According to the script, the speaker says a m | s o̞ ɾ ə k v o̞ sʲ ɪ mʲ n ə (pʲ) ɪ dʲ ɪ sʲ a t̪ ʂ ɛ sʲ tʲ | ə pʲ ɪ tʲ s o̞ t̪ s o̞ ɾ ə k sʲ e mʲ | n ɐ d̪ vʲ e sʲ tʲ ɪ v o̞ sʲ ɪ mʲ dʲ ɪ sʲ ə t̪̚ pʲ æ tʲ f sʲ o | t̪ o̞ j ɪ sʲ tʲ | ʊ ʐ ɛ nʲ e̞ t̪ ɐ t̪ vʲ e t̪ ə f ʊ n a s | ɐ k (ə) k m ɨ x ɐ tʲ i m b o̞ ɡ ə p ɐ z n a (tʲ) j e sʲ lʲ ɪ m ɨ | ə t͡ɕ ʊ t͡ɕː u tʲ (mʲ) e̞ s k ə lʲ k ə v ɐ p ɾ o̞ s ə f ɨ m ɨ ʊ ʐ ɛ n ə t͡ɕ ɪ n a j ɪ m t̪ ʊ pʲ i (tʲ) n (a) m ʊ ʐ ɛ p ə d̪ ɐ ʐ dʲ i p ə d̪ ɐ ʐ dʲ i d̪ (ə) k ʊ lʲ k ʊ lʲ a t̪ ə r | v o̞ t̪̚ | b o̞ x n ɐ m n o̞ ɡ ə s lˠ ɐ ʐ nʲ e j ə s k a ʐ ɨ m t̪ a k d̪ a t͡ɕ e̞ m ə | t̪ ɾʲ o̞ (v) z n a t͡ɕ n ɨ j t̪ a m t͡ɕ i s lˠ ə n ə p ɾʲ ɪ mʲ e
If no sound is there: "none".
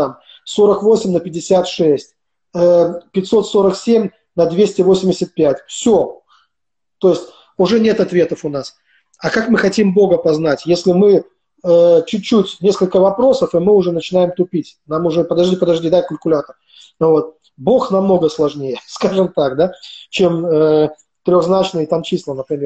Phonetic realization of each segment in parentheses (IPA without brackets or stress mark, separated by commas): pʲ, a, tʲ, nʲ, tʲ, a, a, ɣ